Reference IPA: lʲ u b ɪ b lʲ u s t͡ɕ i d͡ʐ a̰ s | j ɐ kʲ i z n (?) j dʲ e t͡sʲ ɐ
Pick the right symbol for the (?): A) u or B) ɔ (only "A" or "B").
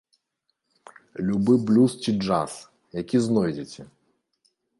B